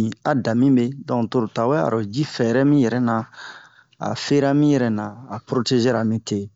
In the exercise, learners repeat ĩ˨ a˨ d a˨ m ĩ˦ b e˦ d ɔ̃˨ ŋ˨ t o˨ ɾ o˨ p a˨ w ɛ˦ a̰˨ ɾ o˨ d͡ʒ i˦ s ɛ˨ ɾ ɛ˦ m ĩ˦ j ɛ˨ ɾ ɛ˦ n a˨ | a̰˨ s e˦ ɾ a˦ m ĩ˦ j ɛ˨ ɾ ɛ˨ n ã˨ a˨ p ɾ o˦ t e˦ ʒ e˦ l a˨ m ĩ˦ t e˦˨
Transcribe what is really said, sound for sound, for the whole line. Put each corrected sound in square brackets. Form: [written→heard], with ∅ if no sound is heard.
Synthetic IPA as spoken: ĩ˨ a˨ d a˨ m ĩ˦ b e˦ d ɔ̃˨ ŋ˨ t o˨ ɾ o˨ [p→t] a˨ w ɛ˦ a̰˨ ɾ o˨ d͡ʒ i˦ [s→f] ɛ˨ ɾ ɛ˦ m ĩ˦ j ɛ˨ ɾ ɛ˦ n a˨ | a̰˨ [s→f] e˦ ɾ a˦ m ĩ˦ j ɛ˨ ɾ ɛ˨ n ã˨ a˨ p ɾ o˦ t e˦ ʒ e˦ [l→ɾ] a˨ m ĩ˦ t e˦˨